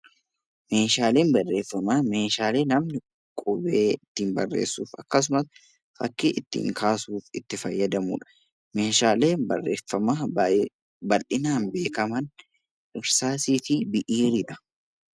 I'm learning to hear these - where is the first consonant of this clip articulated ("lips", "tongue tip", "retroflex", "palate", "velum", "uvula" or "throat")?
lips